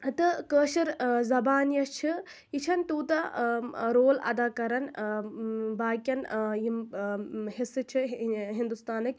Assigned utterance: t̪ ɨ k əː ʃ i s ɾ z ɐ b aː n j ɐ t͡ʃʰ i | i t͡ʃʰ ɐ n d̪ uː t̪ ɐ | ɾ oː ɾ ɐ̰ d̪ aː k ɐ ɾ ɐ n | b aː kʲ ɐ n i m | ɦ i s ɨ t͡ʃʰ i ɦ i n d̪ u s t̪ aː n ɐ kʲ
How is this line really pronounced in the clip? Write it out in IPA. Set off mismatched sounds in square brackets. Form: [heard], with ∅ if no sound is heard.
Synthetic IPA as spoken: t̪ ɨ k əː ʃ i [∅] ɾ z ɐ b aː n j ɐ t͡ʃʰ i | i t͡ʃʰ ɐ n [t̪] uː t̪ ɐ | ɾ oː [l] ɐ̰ d̪ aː k ɐ ɾ ɐ n | b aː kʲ ɐ n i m | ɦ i s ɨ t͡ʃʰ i ɦ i n d̪ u s t̪ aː n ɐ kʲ

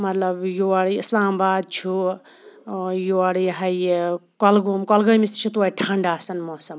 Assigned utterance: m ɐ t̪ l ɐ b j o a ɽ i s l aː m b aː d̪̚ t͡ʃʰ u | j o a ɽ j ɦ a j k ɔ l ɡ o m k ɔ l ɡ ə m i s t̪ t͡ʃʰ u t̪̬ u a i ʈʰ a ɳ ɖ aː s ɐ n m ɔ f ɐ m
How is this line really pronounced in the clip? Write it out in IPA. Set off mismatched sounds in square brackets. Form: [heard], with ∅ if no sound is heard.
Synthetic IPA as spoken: m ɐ t̪ l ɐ b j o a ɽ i s l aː m b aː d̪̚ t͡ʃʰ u | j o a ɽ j ɦ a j k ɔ l ɡ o m k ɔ l ɡ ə m i s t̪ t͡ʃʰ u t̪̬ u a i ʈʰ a ɳ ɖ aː s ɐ n m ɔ [s] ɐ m

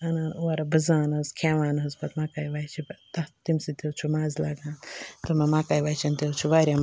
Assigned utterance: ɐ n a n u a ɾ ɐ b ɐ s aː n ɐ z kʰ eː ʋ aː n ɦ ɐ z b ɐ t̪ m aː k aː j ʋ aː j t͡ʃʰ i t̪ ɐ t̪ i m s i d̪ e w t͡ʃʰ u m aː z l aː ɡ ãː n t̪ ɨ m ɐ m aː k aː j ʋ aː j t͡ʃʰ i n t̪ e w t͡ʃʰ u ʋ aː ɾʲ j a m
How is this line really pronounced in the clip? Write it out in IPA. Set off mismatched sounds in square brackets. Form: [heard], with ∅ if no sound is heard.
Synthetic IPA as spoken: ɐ n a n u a ɾ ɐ b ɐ [z] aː n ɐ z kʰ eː ʋ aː n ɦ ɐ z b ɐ t̪ m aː k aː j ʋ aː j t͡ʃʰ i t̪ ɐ t̪ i m s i [t̪] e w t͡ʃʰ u m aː z l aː ɡ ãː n t̪ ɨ m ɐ m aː k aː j ʋ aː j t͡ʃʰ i n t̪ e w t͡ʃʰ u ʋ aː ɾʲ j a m

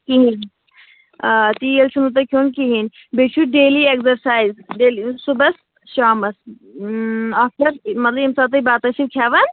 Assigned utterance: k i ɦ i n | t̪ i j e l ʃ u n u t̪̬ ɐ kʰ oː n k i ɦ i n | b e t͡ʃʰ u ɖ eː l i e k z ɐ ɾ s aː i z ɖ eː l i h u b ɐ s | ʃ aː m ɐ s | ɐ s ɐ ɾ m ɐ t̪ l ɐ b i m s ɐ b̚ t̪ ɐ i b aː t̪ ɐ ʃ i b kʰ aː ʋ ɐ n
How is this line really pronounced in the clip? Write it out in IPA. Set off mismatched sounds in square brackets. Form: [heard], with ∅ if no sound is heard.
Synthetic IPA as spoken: k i ɦ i n | t̪ i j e l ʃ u n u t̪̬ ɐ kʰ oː n k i ɦ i n | b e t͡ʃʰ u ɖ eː l i e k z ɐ ɾ s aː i z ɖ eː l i [s] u b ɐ s | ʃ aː m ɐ s | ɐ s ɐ ɾ m ɐ t̪ l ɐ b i m s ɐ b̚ t̪ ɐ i b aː t̪ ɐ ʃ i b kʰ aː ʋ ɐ n

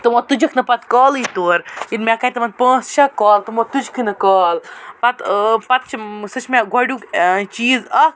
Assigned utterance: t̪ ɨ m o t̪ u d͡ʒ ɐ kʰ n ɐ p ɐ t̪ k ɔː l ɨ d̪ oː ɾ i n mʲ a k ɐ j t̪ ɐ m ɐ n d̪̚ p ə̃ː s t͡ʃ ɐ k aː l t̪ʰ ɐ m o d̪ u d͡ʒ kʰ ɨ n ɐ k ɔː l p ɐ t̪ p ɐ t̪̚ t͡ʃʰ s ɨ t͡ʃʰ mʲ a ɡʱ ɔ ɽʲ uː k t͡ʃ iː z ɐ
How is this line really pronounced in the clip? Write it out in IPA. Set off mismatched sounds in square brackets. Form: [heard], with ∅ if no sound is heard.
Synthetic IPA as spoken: t̪ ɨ m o t̪ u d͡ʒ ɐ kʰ n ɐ p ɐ t̪ k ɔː l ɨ [t̪] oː ɾ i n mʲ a k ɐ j t̪ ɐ m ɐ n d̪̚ p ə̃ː s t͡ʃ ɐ k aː l [t̪] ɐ m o [t̪] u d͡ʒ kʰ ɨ n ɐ k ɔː l p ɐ t̪ p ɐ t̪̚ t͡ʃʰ s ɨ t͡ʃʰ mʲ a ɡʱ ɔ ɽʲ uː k t͡ʃ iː z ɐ

